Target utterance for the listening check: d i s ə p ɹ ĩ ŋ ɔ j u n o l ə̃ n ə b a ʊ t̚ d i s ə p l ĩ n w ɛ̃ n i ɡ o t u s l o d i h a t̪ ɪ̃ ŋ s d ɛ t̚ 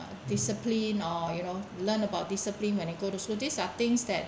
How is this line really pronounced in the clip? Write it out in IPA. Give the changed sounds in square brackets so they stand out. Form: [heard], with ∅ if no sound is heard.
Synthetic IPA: d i s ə p [l] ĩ [n] ɔ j u n o l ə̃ n ə b a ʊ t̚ d i s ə p l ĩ n w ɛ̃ n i ɡ o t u s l o d i [s] a t̪ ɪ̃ ŋ s d ɛ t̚